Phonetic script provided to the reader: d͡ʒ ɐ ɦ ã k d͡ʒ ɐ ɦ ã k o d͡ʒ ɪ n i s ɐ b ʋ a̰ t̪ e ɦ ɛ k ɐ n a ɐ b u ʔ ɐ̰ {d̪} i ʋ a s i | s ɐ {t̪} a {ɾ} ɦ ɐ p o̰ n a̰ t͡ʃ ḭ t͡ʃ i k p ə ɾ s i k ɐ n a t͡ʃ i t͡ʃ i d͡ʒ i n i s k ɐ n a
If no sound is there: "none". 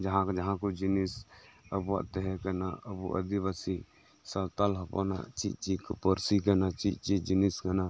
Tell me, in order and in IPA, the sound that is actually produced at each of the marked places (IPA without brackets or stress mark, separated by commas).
d̪, t̪, l